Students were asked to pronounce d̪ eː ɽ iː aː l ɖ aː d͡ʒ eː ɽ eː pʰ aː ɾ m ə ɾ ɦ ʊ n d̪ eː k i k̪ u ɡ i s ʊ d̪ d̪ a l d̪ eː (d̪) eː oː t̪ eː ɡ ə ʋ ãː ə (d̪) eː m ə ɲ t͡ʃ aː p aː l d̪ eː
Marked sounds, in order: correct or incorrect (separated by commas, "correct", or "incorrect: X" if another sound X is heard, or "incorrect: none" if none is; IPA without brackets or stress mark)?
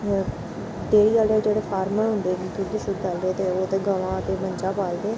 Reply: incorrect: t̪, incorrect: t̪